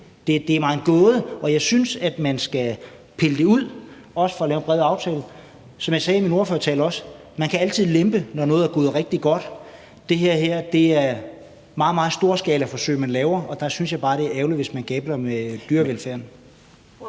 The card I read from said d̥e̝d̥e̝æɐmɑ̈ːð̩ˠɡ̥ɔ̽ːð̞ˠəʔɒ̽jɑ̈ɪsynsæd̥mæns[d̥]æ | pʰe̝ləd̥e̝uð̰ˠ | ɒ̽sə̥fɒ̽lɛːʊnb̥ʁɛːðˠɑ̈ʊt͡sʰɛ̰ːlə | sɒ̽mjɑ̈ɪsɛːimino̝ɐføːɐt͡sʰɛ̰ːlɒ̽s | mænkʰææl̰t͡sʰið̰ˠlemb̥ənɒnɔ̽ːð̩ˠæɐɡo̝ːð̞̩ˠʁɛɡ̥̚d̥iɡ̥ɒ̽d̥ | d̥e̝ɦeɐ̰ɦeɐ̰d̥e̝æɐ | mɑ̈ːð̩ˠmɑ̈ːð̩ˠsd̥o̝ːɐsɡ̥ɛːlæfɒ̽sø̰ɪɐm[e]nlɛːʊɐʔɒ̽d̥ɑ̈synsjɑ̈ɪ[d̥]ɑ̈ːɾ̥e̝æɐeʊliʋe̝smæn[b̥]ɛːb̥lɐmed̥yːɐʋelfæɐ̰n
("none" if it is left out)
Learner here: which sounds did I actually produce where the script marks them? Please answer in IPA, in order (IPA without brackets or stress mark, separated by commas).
ɡ̥, æ, b̥, ɡ̥